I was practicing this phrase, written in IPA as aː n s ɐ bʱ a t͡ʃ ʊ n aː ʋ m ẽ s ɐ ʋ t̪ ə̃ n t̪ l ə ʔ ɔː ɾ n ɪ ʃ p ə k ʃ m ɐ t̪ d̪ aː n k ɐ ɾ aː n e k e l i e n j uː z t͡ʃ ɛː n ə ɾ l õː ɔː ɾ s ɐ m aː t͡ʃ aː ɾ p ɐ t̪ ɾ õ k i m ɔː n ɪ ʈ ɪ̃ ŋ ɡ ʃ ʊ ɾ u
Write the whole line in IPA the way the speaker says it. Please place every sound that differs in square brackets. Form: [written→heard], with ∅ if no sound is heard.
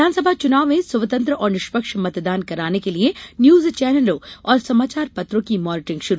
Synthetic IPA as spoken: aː n s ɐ bʱ a t͡ʃ ʊ n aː ʋ m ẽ s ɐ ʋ t̪ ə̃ n t̪ [l→ɾ] ə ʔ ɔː ɾ n ɪ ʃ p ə k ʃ m ɐ t̪ d̪ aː n k ɐ ɾ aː n e k e l i e n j uː z t͡ʃ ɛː n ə [ɾ→∅] l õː ɔː ɾ s ɐ m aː t͡ʃ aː ɾ p ɐ t̪ ɾ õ k i m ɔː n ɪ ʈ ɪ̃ ŋ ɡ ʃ ʊ ɾ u